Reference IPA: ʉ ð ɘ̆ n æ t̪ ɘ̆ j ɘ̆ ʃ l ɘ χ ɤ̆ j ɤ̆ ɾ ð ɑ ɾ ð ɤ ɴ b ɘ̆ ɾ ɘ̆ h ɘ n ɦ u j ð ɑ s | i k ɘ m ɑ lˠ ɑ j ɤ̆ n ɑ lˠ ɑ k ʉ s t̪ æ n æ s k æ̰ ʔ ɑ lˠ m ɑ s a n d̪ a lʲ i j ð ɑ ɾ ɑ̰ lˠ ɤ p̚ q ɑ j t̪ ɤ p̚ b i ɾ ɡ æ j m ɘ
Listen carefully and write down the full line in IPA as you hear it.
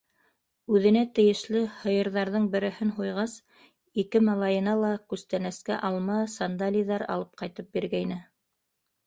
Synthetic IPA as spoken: ʉ ð ɘ̆ n æ t̪ ɘ̆ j ɘ̆ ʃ l ɘ h ɤ̆ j ɤ̆ ɾ ð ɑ ɾ ð ɤ ɴ b ɘ̆ ɾ ɘ̆ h ɘ n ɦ u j ʁ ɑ s | i k ɘ m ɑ lˠ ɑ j ɤ̆ n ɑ lˠ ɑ k ʉ s t̪ æ n æ s k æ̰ ʔ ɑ lˠ m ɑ s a n d̪ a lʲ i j ð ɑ ɾ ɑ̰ lˠ ɤ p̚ q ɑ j t̪ ɤ p̚ b i ɾ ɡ æ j n ɘ